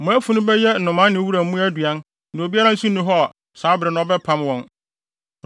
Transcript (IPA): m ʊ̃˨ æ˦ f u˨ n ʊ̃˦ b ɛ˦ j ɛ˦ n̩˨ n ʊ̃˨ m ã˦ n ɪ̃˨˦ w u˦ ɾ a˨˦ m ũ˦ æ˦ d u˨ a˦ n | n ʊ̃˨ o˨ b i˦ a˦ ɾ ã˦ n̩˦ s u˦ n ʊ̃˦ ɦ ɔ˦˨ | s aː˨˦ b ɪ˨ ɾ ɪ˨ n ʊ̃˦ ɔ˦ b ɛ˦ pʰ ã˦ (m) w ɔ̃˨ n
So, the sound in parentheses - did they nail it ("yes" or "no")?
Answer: yes